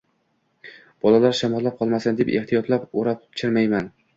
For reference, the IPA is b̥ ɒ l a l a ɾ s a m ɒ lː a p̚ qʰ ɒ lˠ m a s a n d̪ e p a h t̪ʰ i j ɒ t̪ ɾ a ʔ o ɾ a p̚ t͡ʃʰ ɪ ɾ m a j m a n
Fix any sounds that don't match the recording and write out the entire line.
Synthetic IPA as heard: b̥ ɒ l a l a ɾ ʃ a m ɒ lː a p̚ qʰ ɒ lˠ m a s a n d̪ e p e h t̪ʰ i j ɒ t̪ l a p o ɾ a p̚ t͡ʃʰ ɪ ɾ m a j m a n